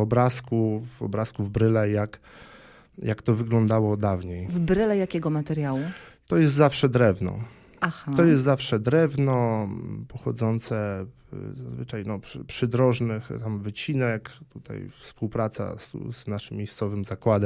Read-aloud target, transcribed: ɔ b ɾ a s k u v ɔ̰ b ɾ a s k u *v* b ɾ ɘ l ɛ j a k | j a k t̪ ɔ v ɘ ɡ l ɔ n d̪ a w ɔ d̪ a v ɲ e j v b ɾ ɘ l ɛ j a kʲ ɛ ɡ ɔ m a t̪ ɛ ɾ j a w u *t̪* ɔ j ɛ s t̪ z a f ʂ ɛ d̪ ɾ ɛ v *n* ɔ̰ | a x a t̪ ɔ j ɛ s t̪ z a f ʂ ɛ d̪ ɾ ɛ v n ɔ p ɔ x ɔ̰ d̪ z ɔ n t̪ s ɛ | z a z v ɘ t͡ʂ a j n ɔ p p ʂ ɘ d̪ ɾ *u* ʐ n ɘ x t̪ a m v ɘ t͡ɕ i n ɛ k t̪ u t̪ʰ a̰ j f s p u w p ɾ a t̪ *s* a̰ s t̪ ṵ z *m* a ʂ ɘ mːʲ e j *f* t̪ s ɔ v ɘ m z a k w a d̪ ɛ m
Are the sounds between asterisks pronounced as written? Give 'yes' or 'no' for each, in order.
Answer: yes, yes, yes, no, yes, no, no

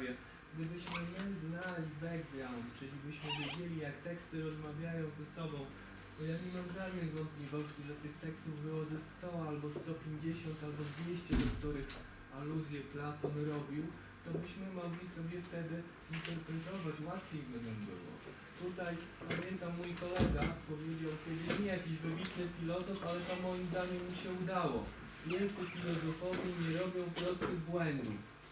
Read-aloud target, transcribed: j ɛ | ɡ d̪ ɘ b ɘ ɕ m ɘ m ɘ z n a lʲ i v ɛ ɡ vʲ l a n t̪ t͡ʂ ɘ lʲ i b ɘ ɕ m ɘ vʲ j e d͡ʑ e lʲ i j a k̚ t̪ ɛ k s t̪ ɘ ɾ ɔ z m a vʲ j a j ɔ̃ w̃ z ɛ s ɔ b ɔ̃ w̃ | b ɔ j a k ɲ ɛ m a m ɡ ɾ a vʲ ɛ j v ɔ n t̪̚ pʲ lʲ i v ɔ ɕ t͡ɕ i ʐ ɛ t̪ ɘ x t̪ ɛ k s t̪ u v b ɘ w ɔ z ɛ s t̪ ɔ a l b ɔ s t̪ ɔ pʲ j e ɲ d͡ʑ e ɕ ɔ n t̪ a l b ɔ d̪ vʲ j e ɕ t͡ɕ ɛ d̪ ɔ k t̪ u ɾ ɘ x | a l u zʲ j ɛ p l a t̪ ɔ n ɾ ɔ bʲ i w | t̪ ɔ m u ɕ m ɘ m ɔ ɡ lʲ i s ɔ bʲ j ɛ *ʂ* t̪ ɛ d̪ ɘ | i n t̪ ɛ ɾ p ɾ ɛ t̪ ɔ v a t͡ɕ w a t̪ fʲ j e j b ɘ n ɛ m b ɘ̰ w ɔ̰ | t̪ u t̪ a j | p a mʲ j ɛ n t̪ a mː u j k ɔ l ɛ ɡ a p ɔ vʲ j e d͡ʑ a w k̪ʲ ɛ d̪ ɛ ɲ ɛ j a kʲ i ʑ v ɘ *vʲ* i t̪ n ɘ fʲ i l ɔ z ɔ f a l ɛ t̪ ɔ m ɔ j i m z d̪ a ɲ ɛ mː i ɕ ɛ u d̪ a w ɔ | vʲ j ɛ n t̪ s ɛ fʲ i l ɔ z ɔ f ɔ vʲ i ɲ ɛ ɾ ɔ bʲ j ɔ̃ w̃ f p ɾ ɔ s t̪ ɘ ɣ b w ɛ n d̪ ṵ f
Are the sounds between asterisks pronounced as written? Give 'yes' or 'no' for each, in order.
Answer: no, no

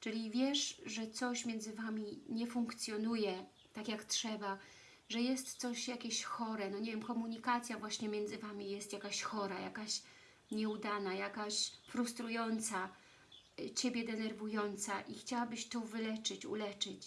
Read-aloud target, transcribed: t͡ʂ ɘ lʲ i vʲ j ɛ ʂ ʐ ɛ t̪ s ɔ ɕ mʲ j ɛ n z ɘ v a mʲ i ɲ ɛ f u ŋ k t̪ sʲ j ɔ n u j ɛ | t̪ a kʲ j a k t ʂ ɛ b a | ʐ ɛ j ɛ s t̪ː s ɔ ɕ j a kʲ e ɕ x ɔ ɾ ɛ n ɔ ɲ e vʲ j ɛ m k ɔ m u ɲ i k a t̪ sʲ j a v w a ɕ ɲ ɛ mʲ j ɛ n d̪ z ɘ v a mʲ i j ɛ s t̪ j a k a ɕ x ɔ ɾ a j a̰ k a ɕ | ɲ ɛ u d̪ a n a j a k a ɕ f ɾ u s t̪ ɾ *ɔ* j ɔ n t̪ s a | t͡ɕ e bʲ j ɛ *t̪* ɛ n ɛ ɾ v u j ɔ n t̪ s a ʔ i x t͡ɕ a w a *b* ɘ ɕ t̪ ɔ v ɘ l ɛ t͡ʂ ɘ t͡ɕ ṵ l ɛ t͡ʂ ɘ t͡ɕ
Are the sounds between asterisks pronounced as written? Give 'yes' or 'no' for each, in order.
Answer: no, no, yes

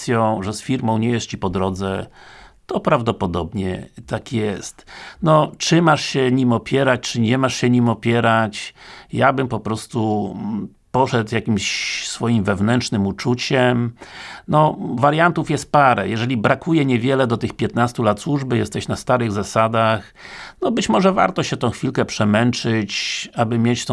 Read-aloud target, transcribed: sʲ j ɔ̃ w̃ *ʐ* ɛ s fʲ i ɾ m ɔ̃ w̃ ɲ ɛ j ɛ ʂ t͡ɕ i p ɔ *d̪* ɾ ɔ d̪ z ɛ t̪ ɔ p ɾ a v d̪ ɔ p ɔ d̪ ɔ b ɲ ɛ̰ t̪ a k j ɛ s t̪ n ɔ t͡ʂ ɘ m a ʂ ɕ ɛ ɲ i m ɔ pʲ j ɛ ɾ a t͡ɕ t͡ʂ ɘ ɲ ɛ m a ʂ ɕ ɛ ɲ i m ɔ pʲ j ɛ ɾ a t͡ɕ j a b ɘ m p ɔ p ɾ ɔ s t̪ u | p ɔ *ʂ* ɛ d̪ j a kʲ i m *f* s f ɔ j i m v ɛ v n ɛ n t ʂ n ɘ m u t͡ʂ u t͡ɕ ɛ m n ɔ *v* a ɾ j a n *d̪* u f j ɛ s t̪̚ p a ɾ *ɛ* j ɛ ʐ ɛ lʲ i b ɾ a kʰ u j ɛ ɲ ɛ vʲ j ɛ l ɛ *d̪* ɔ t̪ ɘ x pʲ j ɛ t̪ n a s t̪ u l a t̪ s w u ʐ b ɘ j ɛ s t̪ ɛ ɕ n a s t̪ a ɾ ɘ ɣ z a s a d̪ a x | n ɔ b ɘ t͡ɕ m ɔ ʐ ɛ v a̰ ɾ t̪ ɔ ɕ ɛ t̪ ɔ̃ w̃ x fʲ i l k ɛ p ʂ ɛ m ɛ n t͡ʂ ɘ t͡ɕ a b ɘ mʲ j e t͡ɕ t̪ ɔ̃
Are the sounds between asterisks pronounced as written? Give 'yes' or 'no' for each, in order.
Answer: yes, yes, yes, no, yes, no, yes, yes

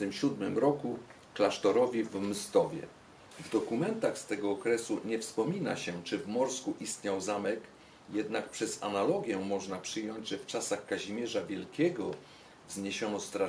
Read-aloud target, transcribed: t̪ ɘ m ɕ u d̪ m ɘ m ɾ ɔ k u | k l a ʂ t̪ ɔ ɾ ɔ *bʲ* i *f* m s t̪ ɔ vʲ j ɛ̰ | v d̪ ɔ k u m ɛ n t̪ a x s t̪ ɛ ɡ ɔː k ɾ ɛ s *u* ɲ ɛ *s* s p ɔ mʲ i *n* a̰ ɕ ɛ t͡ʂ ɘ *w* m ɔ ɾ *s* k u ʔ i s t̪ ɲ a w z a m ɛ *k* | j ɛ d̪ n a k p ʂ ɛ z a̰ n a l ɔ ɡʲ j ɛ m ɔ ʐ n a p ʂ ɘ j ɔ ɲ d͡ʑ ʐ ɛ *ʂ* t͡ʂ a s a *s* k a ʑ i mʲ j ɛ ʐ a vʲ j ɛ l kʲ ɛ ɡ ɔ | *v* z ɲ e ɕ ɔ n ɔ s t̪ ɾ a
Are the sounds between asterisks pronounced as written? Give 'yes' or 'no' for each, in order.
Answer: no, no, yes, no, yes, no, yes, yes, no, no, yes

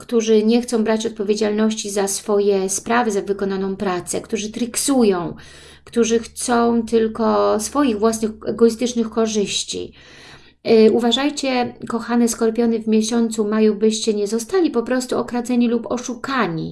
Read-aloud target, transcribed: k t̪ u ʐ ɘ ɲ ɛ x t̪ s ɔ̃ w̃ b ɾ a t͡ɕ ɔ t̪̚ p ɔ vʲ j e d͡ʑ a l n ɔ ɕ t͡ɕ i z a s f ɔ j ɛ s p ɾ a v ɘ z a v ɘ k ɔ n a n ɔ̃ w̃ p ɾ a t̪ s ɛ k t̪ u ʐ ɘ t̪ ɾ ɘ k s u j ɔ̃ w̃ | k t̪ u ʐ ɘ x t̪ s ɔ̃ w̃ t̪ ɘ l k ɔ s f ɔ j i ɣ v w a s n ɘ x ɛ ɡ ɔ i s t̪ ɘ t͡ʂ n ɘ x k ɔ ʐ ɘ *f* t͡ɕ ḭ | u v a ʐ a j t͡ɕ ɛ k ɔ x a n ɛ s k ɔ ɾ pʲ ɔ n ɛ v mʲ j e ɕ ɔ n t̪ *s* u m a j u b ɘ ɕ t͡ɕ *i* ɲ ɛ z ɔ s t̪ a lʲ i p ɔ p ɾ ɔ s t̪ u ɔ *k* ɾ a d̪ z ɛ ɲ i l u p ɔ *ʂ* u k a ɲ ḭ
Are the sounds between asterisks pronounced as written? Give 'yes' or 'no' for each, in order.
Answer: no, yes, no, yes, yes

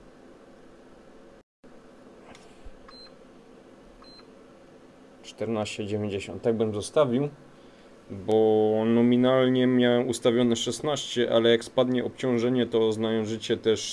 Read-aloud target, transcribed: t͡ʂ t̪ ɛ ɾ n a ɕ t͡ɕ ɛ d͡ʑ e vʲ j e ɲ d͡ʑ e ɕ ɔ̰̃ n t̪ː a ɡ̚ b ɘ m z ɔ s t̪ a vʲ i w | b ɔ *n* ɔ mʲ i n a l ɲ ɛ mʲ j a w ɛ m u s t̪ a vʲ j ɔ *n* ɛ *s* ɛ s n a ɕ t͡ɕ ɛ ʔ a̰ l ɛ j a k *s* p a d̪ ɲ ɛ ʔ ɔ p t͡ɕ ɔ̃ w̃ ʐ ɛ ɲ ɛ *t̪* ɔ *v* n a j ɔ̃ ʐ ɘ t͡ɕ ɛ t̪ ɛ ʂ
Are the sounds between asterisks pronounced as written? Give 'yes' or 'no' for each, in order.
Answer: yes, yes, no, yes, yes, no

